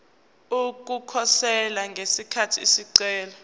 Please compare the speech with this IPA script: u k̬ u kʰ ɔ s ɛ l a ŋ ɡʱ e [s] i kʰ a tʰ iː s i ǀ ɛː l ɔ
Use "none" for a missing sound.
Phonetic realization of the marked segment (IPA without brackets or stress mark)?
s